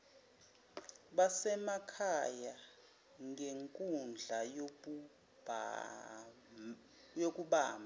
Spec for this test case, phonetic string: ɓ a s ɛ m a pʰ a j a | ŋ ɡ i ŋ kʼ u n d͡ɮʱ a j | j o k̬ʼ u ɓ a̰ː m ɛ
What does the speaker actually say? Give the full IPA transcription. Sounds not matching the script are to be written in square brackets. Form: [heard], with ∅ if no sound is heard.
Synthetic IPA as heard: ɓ a s ɛ m a [kʰ] a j a | ŋ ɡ [e] ŋ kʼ u n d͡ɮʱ a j | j o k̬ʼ u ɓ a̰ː m [a]

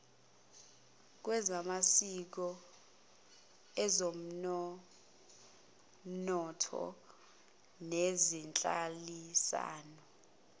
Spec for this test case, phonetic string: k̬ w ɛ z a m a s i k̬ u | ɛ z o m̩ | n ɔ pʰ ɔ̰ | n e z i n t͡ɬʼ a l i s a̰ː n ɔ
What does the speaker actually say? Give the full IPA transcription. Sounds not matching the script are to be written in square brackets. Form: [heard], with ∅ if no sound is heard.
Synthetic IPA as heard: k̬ w ɛ z a m a s i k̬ [ɔ] | ɛ z o m̩ | n ɔ [tʰ] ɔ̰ | n e z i n t͡ɬʼ a l i s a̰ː n ɔ

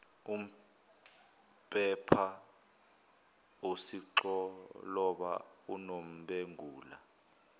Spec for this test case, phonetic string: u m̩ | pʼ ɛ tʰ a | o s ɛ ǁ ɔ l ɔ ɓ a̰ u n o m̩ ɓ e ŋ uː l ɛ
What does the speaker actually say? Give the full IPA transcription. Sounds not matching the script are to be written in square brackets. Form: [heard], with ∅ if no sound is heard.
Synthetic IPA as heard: u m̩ | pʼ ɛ [pʰ] a | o s [i] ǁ ɔ l ɔ ɓ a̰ u n o m̩ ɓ e ŋ uː l [a]

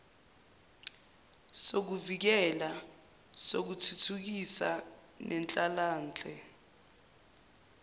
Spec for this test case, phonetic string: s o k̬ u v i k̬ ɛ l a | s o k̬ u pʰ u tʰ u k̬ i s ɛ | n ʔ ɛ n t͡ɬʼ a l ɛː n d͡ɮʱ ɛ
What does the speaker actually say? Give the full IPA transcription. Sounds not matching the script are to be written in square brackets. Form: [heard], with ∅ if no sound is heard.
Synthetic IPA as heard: s o k̬ u v i k̬ ɛ l a | s o k̬ u [tʰ] u tʰ u k̬ i s [a] | n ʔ ɛ n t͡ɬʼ a l [aː] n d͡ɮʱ ɛ

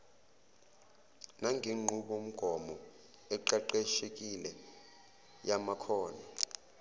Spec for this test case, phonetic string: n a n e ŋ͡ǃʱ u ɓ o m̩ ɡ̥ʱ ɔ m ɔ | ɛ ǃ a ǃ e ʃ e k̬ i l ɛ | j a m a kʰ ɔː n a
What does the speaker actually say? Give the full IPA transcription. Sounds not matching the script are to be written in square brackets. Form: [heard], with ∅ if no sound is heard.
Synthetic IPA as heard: n a [ŋ] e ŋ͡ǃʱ u ɓ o m̩ ɡ̥ʱ ɔ m ɔ | ɛ ǃ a ǃ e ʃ e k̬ i l ɛ | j a m a kʰ ɔː n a

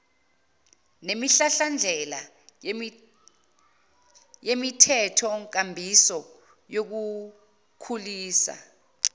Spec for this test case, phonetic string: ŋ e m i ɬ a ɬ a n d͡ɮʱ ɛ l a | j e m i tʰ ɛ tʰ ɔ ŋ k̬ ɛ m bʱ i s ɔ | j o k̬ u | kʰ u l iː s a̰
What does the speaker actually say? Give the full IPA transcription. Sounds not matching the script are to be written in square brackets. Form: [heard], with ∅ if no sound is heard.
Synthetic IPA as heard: [n] e m i ɬ a ɬ a n d͡ɮʱ ɛ l a | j e m i tʰ ɛ tʰ ɔ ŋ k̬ [a] m bʱ i s ɔ | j o k̬ u | kʰ u l iː s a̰

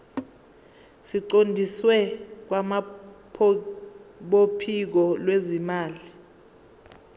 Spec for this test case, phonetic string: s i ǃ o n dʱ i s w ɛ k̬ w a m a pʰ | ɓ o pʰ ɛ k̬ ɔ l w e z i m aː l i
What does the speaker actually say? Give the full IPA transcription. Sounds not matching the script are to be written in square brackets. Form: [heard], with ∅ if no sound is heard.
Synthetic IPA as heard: s i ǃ o n dʱ i s w ɛ k̬ w a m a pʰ | ɓ o pʰ [i] k̬ ɔ l w e z i m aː l i

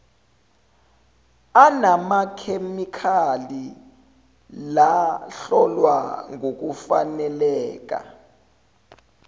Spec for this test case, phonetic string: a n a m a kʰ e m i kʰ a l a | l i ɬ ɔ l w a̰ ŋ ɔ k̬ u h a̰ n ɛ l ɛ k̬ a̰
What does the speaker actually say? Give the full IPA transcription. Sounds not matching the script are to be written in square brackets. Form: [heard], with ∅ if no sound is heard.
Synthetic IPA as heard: a n a m a kʰ e m i kʰ a l [i] | l [a] ɬ ɔ l w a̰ ŋ [o] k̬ u [f] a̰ n ɛ l [ɛː] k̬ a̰

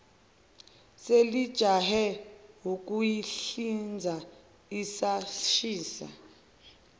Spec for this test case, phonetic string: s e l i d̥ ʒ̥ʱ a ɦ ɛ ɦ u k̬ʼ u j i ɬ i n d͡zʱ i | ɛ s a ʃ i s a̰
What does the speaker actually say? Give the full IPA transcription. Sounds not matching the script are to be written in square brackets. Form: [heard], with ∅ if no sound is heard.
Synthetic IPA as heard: s e l i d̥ ʒ̥ʱ a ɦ ɛ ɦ u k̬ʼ u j i ɬ i n d͡zʱ [a] | [i] s a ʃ [iː] s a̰

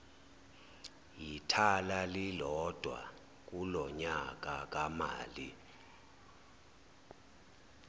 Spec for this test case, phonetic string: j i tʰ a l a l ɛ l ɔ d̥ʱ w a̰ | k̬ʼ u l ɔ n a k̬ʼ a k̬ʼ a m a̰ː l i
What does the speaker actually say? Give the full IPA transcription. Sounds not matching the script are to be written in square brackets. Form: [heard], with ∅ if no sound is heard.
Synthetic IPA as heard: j i tʰ a l a l [i] l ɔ d̥ʱ w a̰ | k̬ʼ u l ɔ [ɲ] a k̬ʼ a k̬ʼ a m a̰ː l i

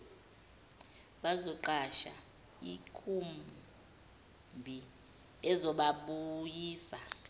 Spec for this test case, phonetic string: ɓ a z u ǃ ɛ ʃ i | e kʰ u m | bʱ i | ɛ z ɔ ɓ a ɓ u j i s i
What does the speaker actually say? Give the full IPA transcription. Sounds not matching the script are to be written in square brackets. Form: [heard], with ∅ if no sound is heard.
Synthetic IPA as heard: ɓ a z [ɔ] ǃ [a] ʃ [a] | [i] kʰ u m | bʱ i | ɛ z ɔ ɓ a ɓ u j [iː] s [a]

